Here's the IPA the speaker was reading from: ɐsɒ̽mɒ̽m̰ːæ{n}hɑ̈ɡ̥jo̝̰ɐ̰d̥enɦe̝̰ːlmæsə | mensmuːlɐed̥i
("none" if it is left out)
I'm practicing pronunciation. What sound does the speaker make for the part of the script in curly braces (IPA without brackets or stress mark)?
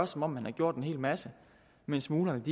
n